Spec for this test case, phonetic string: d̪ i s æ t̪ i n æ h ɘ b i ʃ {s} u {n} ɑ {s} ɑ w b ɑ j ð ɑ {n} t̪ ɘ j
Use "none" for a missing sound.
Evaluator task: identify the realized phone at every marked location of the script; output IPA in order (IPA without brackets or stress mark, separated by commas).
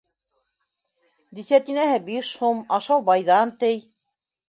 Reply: h, m, ʃ, n